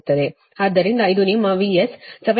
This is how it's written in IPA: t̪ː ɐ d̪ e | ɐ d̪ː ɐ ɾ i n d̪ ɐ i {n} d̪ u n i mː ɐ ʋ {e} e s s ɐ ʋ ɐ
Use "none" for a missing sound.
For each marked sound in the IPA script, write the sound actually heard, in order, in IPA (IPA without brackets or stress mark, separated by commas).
none, i